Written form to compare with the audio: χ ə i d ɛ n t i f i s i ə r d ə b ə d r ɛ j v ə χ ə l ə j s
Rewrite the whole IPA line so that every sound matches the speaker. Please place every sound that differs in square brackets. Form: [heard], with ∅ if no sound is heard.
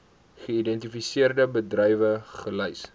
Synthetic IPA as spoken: χ ə i d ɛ n t i f i s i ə r d ə b ə d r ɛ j v ə χ ə l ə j s